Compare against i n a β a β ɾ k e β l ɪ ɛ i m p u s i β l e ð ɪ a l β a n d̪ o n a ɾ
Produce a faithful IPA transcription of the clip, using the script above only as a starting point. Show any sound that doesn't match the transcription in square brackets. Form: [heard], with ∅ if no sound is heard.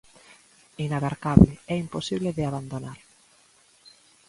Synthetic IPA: i n a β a [∅] ɾ k [a] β l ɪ ɛ i m p [o] s i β l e ð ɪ a [∅] β a n d̪ o n a ɾ